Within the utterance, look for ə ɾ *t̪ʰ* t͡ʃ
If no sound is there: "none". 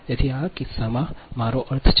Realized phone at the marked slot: t̪ʰ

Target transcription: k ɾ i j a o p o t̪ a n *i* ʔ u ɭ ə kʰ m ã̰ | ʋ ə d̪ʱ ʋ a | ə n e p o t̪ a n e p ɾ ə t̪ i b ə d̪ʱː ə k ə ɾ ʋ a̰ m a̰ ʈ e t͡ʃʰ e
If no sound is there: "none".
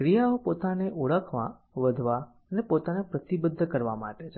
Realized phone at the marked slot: e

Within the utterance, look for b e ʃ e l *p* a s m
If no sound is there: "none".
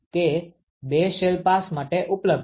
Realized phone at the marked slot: p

